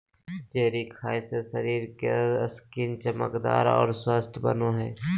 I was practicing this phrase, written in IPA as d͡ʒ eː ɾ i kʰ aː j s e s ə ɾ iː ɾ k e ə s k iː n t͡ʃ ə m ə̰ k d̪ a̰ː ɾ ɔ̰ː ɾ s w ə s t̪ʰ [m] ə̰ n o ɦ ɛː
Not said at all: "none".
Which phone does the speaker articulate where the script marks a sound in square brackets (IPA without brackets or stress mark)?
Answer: b